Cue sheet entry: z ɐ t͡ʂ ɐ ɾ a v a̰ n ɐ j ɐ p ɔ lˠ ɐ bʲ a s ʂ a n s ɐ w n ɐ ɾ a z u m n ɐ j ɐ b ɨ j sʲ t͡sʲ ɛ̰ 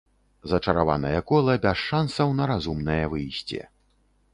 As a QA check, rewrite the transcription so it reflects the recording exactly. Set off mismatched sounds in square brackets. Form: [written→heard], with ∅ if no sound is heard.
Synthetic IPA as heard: z ɐ t͡ʂ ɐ ɾ a v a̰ n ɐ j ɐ [p→k] ɔ lˠ ɐ bʲ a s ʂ a n s ɐ w n ɐ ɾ a z u m n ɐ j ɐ [b→v] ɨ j sʲ t͡sʲ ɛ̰